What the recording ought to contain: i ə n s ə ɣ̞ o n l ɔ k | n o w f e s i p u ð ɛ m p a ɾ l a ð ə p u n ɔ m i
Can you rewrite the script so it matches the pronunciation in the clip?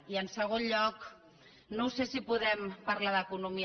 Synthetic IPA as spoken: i ə n s ə ɣ̞ o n ʎ ɔ k | n o w s e s i p u ð ɛ m p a ɾ l a ð ə k u n u m i

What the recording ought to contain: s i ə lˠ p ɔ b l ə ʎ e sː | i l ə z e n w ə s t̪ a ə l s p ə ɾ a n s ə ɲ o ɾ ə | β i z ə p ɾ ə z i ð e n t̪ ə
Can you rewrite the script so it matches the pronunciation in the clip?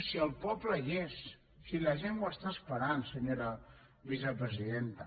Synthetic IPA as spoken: s i ə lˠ p ɔ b l ə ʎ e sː | i l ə ʒ e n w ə s t̪ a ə s p ə ɾ a n s ə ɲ o ɾ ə | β i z ə p ɾ ə z i ð e n t̪ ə

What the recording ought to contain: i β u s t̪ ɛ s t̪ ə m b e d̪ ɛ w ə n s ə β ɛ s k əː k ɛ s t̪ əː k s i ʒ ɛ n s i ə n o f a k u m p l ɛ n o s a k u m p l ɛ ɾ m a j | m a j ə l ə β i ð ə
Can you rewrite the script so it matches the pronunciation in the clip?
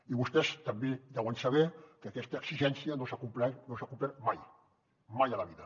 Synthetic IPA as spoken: i β u s t̪ ɛ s t̪ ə m b e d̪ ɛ w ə n s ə β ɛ k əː k ɛ s t̪ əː k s i ʒ ɛ n s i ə n o s a k u m p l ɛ n o s a k u m p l ɛ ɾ m a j | m a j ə l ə β i ð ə

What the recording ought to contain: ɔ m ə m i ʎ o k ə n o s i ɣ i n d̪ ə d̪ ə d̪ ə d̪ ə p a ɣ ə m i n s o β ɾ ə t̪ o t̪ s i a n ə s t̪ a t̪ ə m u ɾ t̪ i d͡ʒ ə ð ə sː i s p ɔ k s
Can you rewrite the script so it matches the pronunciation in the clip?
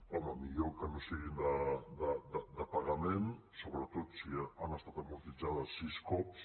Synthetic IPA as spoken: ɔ m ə m i ʎ o k ə n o s i ɣ i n d̪ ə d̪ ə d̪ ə d̪ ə p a ɣ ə m e n s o β ɾ ə t̪ o t̪ s i a n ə s t̪ a t̪ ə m u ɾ t̪ i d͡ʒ a ð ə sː i s k ɔ p s

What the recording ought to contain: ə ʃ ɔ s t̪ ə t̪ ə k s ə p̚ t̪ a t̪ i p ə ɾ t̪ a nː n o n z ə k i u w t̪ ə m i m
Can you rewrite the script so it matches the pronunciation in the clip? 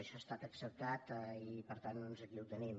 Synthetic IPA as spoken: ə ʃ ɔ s t̪ a t̪ ə k s ə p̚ t̪ a t̪ i p ə ɾ t̪ a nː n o n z ə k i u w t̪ ə n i m

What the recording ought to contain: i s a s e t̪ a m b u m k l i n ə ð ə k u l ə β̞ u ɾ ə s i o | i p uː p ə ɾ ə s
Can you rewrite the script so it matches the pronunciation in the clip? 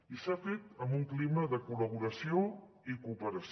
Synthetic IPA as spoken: i s a f e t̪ ə m b u ŋ k l i m ə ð ə k u l ə β̞ u ɾ ə s i o | i k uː p ə ɾ ə s

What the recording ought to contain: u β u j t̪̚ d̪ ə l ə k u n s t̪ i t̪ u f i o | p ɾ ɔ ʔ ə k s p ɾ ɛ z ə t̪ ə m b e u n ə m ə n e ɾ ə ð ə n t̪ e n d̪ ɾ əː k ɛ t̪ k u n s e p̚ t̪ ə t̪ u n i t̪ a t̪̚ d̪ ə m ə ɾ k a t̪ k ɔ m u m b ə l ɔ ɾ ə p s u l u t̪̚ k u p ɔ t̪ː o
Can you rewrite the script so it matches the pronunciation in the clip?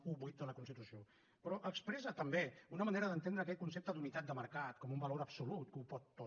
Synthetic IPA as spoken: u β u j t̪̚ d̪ ə l ə k u n s t̪ i t̪ u s i o | p ɾ ɔ ʔ ə k s p ɾ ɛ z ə t̪ ə m b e u n ə m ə n e ɾ ə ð ə n t̪ e n d̪ ɾ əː k ɛ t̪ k u n s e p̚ t̪ ə d̪ u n i t̪ a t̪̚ d̪ ə m ə ɾ k a t̪ k ɔ m u m b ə l o ɾ ə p s u l u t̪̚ k u p ɔ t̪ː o

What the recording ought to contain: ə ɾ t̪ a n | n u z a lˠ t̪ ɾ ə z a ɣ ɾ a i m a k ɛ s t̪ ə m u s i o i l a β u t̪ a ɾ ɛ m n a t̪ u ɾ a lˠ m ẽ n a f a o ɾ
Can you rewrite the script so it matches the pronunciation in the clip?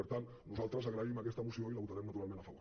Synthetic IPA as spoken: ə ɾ t̪ a n | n u z a lˠ t̪ ɾ ə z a ɣ ɾ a i m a k ɛ s t̪ ə m u s i o i l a β u t̪ a ɾ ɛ m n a t̪ u ɾ a lˠ m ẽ n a f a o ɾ

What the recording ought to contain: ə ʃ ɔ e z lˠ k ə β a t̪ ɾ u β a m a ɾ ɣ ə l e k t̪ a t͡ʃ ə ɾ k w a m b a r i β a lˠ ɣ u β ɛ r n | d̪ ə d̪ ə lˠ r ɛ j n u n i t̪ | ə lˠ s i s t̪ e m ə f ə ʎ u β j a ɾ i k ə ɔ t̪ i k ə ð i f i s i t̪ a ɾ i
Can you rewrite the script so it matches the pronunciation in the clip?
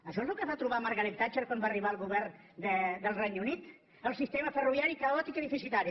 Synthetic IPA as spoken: ə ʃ ɔ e z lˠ k ə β a t̪ ɾ u β a m a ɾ ɣ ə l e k t̪ a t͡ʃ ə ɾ k w a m b a r i β a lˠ ɣ u β ɛ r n | d̪ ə d̪ ə lˠ r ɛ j n u n i t̪ | ə lˠ s i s t̪ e m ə f ə r u β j a ɾ i k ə ɔ t̪ i k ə ð i f i s i t̪ a ɾ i

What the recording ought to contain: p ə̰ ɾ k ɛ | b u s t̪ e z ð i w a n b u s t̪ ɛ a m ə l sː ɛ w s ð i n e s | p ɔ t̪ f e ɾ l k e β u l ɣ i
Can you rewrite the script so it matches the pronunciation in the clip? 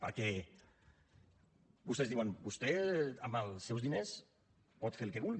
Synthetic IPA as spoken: p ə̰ ɾ k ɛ | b u s t̪ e z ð i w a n b u s t̪ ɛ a m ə l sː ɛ w z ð i n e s | p ɔ t̪ f e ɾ l k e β u l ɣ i

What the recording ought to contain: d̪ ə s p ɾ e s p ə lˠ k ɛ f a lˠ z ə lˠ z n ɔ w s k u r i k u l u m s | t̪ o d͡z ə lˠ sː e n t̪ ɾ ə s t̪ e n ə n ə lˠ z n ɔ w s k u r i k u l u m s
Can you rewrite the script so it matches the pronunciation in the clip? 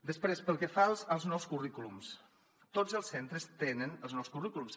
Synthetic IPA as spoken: d̪ ə s p ɾ e s p ə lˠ k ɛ f a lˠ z ə lˠ z n ɔ w s k u r i k u l u m s | t̪ o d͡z ə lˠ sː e n t̪ ɾ ə s t̪ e n ə n ə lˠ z n ɔ w s k u r i k u l u m s

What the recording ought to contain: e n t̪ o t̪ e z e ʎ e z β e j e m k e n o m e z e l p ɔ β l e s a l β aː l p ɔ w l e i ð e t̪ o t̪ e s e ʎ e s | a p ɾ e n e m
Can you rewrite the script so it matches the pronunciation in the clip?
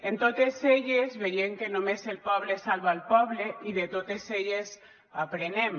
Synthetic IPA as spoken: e n t̪ o t̪ e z e ʎ e z β e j e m k e n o m e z e l p ɔ β l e s a l β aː l p ɔ β l e i ð e t̪ o t̪ e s e ʎ e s | a p ɾ e n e m

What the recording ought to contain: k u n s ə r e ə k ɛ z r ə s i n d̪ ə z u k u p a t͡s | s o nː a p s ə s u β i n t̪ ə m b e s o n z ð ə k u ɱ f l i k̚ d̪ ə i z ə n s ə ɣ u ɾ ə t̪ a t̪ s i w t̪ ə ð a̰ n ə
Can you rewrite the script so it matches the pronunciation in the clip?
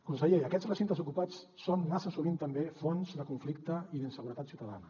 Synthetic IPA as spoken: k u n s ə ʎ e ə k ɛ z r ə s i n t̪ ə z u k u p a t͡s | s o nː a s ə s u β i n t̪ ə m b e f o n z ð ə k u ɱ f l i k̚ t̪ ə i ð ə n s ə ɣ u ɾ ə t̪ a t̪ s i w t̪ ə ð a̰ n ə

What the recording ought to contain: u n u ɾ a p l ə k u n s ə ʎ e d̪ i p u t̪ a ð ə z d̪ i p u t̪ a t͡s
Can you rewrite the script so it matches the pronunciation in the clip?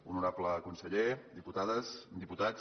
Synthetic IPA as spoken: u n u ɾ a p l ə k u n s ə ʎ e d̪ i p u t̪ a ð ə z d̪ i p u t̪ a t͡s

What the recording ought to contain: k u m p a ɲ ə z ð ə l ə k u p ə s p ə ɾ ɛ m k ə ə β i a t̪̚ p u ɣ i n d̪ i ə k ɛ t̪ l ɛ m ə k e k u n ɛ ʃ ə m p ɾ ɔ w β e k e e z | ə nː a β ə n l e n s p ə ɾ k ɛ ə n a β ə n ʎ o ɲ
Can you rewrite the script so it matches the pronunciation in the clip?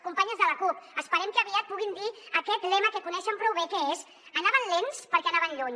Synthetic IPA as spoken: k u m p a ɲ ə z ð ə l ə k u p ə s p ə ɾ ɛ m k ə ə β i a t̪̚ p u ɣ i n d̪ i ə k ɛ t̪ l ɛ m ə k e k u n ɛ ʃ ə m p ɾ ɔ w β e k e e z | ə n a β ə n l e n s p ə ɾ k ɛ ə n a β ə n ʎ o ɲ

